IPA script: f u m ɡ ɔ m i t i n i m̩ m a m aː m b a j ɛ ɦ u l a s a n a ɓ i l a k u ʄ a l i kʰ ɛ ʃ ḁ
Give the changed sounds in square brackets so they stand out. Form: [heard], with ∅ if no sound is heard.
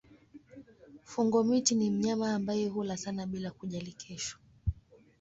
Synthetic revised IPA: f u [ŋ] ɡ ɔ m i t i n i m̩ [ɲ] a m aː m b a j ɛ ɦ u l a s a n a ɓ i l a k u ʄ a l i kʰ ɛ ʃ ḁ